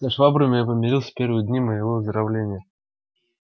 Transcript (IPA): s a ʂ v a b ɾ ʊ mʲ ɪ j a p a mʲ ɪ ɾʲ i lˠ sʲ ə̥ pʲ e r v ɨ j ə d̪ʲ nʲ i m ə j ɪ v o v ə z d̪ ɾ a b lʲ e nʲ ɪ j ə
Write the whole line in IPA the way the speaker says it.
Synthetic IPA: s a ʂ v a b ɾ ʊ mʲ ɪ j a p ə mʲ ɪ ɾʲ i lˠ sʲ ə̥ pʲ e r v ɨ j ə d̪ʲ nʲ i m ə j ɪ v o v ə z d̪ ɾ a v lʲ e nʲ ɪ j ə